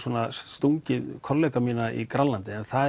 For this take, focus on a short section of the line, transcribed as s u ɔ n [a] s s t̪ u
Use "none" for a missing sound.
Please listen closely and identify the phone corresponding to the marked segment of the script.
a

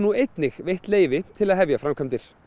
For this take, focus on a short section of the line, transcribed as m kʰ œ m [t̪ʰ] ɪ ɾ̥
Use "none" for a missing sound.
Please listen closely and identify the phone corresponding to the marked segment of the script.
t̪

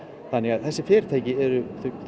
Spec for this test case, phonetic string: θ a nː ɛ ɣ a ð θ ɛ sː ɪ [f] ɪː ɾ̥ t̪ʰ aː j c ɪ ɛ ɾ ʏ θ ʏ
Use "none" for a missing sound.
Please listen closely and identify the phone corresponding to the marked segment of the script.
f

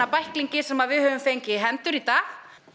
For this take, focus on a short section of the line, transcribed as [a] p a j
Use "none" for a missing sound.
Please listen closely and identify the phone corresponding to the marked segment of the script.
a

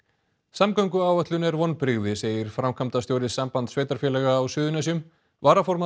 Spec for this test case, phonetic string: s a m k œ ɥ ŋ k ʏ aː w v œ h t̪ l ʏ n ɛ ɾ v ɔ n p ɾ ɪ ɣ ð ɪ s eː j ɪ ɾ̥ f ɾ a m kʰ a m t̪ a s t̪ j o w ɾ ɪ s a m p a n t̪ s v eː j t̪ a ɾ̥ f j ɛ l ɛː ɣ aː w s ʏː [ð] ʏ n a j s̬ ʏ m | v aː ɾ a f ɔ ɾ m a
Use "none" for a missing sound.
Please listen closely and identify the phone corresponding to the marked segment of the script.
ð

